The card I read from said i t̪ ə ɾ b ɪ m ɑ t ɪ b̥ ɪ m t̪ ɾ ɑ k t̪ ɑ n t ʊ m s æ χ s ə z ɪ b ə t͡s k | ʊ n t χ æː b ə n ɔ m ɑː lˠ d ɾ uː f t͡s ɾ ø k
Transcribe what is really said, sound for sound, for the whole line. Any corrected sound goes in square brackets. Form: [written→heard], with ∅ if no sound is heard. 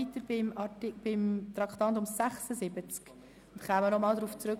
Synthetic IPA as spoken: i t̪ ə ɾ b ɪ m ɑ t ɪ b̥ ɪ m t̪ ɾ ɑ k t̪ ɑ n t ʊ m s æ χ s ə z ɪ b ə t͡s k | ʊ n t χ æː [b→m] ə n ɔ m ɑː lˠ d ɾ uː f t͡s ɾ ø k